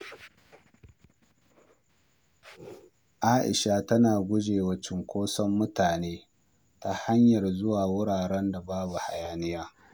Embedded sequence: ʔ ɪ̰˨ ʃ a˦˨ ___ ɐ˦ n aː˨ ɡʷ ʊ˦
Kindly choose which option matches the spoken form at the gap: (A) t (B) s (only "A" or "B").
A